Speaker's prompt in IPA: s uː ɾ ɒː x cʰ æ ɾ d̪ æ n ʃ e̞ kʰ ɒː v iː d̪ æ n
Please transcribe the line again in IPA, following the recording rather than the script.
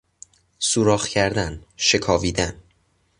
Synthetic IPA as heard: s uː ɾ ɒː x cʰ æ ɾ d̪ æ n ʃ e̞ kʰ ɒː v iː d̪ æ n